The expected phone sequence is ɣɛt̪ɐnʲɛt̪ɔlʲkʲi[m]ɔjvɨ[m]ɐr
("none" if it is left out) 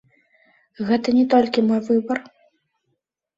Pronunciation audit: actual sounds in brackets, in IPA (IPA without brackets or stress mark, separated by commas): m, b